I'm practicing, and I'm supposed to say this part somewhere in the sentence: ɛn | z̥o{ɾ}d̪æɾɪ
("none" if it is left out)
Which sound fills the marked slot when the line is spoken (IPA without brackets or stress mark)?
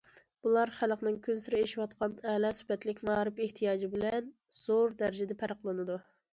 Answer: ɾ